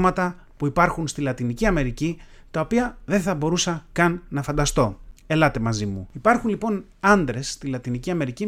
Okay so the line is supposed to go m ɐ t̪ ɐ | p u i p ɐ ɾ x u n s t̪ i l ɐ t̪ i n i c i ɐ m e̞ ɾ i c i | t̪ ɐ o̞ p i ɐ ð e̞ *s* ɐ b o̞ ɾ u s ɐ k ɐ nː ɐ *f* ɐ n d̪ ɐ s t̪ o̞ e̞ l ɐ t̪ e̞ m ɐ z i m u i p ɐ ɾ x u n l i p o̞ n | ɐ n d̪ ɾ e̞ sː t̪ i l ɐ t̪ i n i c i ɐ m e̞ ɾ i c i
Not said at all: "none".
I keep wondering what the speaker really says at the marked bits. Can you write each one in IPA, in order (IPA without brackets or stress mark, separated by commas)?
θ, f